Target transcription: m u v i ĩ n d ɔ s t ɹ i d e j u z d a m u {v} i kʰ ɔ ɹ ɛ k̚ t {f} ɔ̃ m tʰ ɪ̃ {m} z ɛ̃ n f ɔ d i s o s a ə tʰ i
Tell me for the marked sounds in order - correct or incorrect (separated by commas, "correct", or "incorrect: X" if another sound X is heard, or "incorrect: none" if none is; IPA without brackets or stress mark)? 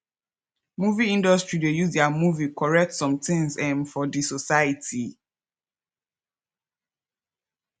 correct, incorrect: s, incorrect: ŋ